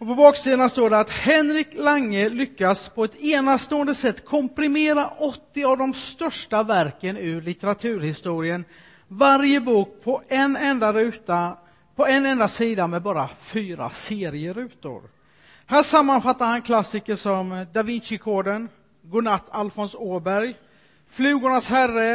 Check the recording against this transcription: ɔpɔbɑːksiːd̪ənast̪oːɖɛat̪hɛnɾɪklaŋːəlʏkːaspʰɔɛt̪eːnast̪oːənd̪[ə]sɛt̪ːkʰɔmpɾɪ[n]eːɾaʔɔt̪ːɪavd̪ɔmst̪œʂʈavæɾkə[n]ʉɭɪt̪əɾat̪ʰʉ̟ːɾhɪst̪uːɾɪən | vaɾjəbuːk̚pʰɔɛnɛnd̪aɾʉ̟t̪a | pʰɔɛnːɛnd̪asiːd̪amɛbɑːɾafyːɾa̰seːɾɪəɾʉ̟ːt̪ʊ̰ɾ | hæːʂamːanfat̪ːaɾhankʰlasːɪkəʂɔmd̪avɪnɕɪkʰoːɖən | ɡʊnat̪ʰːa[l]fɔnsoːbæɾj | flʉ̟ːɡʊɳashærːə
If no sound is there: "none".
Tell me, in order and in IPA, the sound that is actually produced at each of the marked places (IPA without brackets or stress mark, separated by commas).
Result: ə, m, n, l